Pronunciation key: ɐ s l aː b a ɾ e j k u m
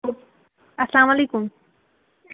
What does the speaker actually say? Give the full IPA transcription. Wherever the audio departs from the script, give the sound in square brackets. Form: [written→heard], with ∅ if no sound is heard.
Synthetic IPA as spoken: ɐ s l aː [b→m] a [ɾ→l] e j k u m